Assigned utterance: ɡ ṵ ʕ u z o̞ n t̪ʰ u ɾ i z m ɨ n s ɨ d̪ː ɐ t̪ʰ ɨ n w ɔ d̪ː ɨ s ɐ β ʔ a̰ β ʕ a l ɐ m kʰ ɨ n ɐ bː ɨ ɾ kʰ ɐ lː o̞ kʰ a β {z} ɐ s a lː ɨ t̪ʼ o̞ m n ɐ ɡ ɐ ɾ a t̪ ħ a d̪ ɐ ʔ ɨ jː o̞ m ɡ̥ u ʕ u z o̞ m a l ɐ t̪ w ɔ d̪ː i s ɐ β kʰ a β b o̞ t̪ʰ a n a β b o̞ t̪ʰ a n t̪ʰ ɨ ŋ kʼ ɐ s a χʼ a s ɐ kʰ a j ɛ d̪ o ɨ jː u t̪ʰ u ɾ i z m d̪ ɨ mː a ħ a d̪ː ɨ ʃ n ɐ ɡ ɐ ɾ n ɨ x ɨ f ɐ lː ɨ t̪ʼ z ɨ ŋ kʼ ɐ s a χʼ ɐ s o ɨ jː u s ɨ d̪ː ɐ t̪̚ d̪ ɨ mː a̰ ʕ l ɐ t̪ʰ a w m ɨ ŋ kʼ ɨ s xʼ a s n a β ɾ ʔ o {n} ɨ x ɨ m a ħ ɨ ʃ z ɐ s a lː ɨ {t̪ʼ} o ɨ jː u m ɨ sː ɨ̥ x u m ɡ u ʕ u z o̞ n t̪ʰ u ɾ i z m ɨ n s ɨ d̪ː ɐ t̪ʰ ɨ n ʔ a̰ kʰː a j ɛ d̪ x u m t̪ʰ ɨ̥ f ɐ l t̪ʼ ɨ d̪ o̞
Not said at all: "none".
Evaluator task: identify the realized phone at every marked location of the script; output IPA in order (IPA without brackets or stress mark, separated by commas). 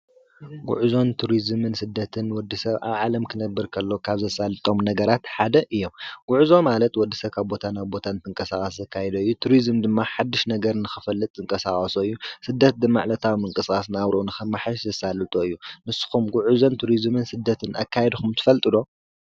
z, n, t̪ʼ